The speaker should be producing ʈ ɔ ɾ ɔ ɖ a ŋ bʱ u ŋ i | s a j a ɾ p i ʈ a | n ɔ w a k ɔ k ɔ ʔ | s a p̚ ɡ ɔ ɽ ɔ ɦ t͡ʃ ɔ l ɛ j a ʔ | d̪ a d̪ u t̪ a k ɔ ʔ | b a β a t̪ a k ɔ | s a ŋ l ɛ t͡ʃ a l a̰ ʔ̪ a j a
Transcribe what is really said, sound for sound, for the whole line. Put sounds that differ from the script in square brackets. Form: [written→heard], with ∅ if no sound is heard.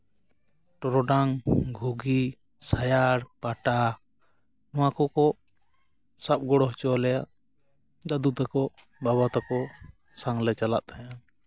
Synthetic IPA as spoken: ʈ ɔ ɾ ɔ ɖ a ŋ [bʱ→ɡʱ] u [ŋ→ɡ] i | s a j a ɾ p [i→a] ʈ a | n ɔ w a k ɔ k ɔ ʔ | s a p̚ ɡ ɔ ɽ ɔ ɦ t͡ʃ ɔ l ɛ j a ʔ | d̪ a d̪ u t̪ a k ɔ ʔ | b a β a t̪ a k ɔ | s a ŋ l ɛ t͡ʃ a l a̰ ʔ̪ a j a

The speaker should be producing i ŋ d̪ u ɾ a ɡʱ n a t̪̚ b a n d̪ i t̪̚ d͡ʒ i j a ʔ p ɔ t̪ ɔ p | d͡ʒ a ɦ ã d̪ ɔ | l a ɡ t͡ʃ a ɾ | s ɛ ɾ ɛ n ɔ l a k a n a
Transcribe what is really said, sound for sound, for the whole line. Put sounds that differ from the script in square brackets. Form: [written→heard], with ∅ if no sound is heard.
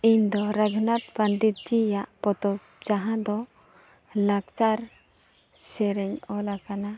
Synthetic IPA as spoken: i [ŋ→ɲ] d̪ [u→ɔ] ɾ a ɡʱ n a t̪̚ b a n d̪ i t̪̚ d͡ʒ i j a ʔ p ɔ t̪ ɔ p | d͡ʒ a ɦ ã d̪ ɔ | l a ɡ t͡ʃ a ɾ | s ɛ ɾ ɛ [n→ɲ] ɔ l a k a n a

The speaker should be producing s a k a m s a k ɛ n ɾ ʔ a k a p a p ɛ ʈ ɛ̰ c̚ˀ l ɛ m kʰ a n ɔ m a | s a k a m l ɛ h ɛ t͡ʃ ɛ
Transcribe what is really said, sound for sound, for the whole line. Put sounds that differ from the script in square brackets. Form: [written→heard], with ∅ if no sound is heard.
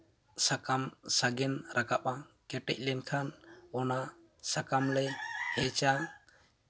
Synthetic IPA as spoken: s a k a m s a [k→ɡ] ɛ n ɾ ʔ a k a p a [p→k] ɛ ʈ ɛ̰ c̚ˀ l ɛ [m→n] kʰ a n ɔ [m→n] a | s a k a m l ɛ h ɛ t͡ʃ [ɛ→a]

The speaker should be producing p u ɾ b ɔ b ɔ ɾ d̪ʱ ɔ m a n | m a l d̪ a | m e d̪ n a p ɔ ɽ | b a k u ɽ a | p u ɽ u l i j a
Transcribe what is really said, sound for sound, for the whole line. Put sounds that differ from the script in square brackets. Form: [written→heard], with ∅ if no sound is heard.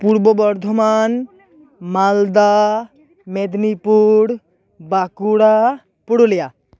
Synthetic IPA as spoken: p u ɾ b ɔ b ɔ ɾ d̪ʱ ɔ m a n | m a l d̪ a | m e d̪ n [a→i] p [ɔ→u] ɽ | b a k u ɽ a | p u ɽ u l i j a

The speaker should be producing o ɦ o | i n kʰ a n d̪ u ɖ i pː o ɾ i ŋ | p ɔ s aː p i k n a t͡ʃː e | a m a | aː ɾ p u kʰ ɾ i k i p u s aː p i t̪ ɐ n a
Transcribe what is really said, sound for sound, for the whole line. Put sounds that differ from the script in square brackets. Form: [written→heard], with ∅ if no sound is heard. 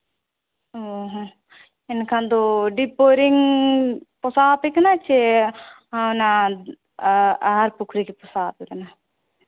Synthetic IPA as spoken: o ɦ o | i n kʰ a n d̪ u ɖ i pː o ɾ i ŋ | p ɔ s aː p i k n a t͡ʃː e | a [m→n] a | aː ɾ p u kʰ ɾ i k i p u s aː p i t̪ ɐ n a

